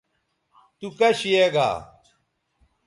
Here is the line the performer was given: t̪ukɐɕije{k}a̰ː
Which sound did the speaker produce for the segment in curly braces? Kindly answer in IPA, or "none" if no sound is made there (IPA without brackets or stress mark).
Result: ɡ